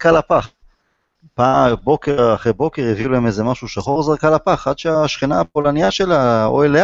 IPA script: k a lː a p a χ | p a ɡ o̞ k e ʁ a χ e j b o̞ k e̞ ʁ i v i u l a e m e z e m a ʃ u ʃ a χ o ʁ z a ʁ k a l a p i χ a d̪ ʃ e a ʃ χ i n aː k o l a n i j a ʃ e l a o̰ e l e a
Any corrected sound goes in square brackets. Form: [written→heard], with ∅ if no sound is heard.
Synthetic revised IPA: k a [lː→l] a p a χ | p a [ɡ→b] o̞ k e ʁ a χ e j b o̞ k e̞ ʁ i v i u l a e m e z e m a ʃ u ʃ a χ o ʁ z a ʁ k a l a p [i→a] χ a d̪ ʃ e a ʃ χ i n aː [k→p] o l a n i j a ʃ e l a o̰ e l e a